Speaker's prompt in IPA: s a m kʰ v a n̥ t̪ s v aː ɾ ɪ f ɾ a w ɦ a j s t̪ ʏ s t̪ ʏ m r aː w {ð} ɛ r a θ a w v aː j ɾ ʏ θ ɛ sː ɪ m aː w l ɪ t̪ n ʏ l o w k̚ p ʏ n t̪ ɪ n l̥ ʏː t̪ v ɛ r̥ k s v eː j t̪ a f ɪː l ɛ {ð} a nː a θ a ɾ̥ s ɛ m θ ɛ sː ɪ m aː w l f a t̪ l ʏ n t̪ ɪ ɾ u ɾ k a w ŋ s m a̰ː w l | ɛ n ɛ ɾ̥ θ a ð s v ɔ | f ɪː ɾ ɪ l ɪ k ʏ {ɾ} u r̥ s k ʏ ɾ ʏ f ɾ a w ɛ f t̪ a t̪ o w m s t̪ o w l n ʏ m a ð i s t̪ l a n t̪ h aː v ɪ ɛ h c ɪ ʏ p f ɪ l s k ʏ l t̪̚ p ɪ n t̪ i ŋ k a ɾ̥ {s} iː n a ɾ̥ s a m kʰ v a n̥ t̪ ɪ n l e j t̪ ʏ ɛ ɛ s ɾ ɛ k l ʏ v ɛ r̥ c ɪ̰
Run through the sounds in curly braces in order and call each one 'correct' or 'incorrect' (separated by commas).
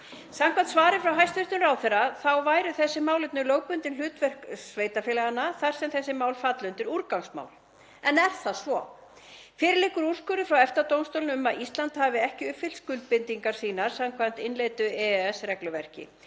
incorrect, incorrect, correct, correct